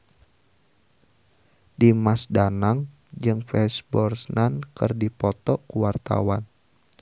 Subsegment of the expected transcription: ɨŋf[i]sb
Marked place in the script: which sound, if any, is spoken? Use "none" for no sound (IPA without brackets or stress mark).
ɛ